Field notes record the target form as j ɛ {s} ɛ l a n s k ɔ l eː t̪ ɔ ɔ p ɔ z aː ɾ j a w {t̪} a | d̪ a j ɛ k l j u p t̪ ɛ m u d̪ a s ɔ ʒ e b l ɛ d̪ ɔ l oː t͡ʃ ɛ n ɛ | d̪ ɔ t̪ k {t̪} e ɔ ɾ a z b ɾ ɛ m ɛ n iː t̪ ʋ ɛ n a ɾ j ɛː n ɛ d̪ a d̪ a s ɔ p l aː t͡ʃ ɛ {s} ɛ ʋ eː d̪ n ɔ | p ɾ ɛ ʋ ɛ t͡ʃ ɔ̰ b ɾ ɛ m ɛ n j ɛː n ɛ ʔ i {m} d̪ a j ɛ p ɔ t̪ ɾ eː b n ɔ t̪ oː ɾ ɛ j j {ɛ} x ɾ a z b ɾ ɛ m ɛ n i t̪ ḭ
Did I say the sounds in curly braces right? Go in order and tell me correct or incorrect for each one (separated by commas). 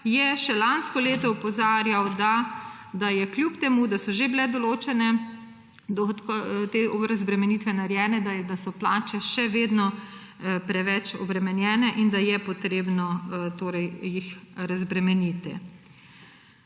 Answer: incorrect, incorrect, correct, incorrect, incorrect, incorrect